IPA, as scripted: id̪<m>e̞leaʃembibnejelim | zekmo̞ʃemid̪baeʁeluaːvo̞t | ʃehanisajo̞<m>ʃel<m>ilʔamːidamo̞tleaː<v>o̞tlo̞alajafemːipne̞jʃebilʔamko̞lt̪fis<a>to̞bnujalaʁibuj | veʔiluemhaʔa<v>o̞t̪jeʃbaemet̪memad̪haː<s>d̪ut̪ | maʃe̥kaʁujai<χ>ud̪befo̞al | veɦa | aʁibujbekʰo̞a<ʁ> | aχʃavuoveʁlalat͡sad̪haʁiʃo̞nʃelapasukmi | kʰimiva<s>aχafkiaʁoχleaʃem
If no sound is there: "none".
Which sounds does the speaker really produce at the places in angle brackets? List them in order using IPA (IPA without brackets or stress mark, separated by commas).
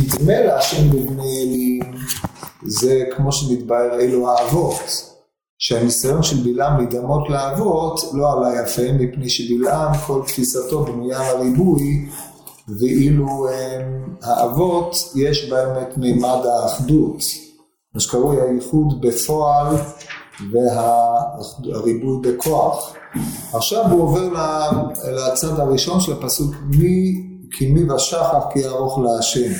m, n, b, v, a, v, χ, χ, χ, ʃ